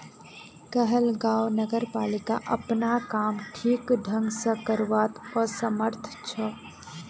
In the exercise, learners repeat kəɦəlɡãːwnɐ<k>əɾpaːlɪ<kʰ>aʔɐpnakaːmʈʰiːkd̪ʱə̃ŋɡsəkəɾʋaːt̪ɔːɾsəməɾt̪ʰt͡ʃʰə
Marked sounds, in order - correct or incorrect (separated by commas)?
incorrect, incorrect